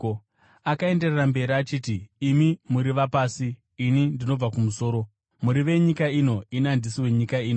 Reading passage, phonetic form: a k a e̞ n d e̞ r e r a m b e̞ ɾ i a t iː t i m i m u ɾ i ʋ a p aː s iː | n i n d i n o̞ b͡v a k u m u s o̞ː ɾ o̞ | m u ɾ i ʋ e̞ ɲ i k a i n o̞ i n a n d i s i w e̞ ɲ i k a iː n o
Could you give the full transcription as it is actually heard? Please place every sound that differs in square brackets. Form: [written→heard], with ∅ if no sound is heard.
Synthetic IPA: a k a e̞ n d e̞ r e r a m b e̞ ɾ i a [t→t͡ʃ] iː t [i→iː] m i m u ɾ i ʋ a p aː s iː | n i n d i n o̞ b͡v a k u m u s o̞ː ɾ o̞ | m u ɾ i ʋ e̞ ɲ i k a i n o̞ i n a n d i s i w e̞ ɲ i k a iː n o

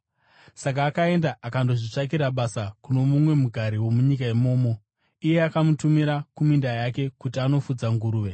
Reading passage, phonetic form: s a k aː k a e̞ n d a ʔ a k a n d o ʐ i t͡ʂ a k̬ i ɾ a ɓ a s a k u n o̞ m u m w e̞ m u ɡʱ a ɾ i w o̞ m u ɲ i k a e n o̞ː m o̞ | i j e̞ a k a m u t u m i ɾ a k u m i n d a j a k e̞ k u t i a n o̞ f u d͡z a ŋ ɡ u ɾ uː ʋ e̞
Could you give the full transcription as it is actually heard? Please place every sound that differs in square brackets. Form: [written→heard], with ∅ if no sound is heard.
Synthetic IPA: s a k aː k a e̞ n d a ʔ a k a n d o ʐ i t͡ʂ a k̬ i ɾ a ɓ a s a k u n o̞ m u m w e̞ m u ɡʱ a ɾ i w o̞ m u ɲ i k a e [n→m] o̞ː m o̞ | i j e̞ a k a m u t u m i ɾ a k u m i n d a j a k e̞ k u t i a n o̞ f u d͡z a ŋ ɡ u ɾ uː ʋ e̞

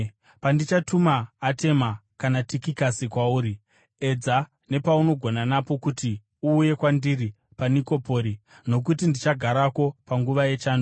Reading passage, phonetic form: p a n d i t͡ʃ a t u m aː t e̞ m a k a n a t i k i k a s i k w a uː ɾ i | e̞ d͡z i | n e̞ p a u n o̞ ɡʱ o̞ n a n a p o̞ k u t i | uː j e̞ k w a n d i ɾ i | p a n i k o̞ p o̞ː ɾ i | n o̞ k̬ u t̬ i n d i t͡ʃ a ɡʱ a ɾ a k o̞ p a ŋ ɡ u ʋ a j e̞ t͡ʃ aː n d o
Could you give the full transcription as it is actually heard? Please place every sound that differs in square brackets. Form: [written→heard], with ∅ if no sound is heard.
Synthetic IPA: p a n d i t͡ʃ a t u m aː t e̞ m a k a n a t i k i k a s i k w a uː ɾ i | e̞ d͡z [i→a] | n e̞ p a u n o̞ ɡʱ o̞ n a n a p o̞ k u t i | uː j e̞ k w a n d i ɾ i | p a n i k o̞ p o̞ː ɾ i | n o̞ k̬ u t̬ i n d i t͡ʃ a ɡʱ a ɾ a k o̞ p a ŋ ɡ u ʋ a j e̞ t͡ʃ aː n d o

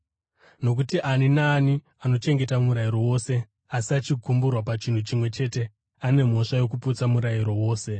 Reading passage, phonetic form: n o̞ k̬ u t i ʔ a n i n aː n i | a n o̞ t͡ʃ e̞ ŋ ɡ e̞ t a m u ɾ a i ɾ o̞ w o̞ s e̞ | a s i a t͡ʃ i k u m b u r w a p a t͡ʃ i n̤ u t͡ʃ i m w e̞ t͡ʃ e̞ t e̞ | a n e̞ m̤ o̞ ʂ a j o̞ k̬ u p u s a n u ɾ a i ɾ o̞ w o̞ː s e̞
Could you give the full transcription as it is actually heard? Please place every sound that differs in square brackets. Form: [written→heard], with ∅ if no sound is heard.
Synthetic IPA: n o̞ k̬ u t i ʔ a n i n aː n i | a n o̞ t͡ʃ e̞ ŋ ɡ e̞ t a m u ɾ a i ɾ o̞ w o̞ s e̞ | a s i a t͡ʃ i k u m b u r w a p a t͡ʃ i n̤ u t͡ʃ i m w e̞ t͡ʃ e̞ t e̞ | a n e̞ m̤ o̞ ʂ a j o̞ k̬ u p u [s→t͡s] a [n→m] u ɾ a i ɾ o̞ w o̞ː s e̞

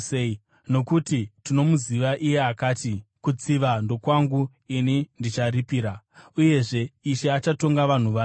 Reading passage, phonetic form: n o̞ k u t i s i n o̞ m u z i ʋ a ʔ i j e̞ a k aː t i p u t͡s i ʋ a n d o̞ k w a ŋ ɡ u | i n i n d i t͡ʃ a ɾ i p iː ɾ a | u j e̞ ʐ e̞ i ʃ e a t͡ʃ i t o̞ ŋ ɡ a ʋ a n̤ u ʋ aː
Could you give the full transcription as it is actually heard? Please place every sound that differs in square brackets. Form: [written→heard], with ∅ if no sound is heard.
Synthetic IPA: n o̞ k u t i [s→t] i n o̞ m u z i ʋ a ʔ i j e̞ a k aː t i [p→k] u t͡s i ʋ a n d o̞ k w a ŋ ɡ u | i n i n d i t͡ʃ a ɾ i p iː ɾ a | u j e̞ ʐ e̞ i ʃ e a t͡ʃ [i→a] t o̞ ŋ ɡ a ʋ a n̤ u ʋ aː

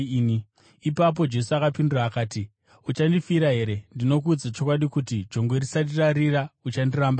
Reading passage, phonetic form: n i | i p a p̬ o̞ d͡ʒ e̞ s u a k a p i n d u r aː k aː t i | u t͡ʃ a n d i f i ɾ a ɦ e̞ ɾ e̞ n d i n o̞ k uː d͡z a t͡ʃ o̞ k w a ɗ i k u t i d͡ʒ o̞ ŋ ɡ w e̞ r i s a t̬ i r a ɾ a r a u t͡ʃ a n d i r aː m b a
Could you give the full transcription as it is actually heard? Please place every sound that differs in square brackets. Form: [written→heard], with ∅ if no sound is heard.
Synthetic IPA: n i | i p a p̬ o̞ d͡ʒ e̞ s u a k a p i n d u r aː k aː t i | u t͡ʃ a n d i f i ɾ a ɦ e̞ ɾ e̞ n d i n o̞ k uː d͡z a t͡ʃ o̞ k w a ɗ i k u t i d͡ʒ o̞ ŋ ɡ w e̞ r i s a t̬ i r a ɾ [a→i] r a u t͡ʃ a n d i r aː m b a

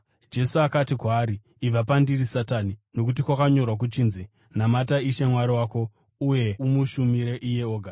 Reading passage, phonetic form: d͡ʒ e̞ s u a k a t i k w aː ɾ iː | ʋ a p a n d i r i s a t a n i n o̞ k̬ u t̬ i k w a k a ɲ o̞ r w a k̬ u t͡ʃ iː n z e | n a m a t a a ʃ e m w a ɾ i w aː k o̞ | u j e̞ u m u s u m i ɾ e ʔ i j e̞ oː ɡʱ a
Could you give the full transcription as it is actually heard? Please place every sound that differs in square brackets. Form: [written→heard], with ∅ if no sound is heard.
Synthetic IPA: d͡ʒ e̞ s u a k a t i k w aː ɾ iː | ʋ a p a n d i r i s a t a n i n o̞ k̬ u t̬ i k w a k a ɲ o̞ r w a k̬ u t͡ʃ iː n z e | n a m a t a [a→i] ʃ e m w a ɾ i w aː k o̞ | u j e̞ u m u [s→ʃ] u m i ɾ e ʔ i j e̞ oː ɡʱ a

